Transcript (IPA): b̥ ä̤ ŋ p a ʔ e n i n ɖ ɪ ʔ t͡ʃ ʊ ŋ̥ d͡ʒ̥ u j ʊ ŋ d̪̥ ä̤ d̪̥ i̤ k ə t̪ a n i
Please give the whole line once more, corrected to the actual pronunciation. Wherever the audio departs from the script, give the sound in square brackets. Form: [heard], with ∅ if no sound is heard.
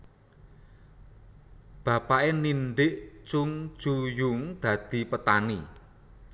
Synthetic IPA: b̥ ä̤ [∅] p a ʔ e n i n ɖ ɪ ʔ t͡ʃ ʊ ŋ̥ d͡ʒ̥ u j ʊ ŋ d̪̥ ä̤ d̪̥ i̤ [p] ə t̪ a n i